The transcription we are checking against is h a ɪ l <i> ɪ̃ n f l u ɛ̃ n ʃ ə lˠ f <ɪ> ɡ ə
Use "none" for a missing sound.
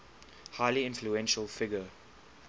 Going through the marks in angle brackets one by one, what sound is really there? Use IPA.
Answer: i, ɪ

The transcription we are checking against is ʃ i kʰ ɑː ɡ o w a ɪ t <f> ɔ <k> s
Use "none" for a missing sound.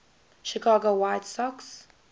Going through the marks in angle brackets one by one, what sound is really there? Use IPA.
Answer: s, k

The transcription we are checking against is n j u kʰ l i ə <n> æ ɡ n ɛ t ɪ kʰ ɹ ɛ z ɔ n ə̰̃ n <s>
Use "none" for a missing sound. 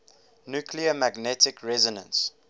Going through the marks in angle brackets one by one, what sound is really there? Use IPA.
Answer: m, s

